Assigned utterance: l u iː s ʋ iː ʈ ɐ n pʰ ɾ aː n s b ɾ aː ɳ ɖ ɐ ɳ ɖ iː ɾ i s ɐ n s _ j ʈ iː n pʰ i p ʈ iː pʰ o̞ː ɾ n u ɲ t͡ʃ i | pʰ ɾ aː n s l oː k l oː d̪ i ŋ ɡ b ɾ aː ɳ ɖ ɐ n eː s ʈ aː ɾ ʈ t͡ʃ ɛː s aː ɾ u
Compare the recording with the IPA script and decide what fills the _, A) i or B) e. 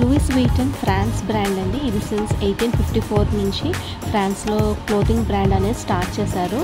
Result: B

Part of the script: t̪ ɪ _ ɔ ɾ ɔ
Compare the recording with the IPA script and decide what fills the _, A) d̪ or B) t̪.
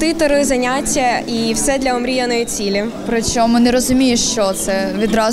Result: B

